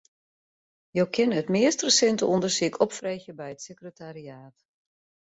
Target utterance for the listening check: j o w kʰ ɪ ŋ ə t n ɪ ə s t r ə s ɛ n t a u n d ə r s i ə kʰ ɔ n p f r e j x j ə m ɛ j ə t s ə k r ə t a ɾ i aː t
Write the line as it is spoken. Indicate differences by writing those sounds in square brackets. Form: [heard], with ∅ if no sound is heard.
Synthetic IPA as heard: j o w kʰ ɪ [n] ə t [m] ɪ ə s t r ə s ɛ n t [ə] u n d ə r s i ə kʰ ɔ [∅] p f r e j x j ə [b] ɛ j ə t s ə k r ə t a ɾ i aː t